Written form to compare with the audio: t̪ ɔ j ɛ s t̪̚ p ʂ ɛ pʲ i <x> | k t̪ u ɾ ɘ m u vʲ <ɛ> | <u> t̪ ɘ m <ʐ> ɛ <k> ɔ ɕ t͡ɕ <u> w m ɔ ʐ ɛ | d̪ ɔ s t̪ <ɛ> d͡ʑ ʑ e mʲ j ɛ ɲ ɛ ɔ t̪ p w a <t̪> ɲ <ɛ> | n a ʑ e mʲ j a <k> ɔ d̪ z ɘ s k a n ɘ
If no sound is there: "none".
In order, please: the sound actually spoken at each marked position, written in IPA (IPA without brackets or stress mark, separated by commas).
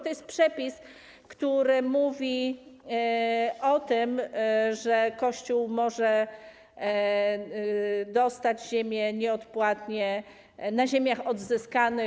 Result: s, i, ɔ, ʐ, k, u, a, t̪, ɛ, x